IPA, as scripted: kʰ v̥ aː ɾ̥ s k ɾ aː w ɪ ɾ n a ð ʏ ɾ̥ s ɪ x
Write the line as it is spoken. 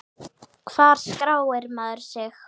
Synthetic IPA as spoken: kʰ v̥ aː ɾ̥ s k ɾ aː w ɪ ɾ m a ð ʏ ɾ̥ s ɪ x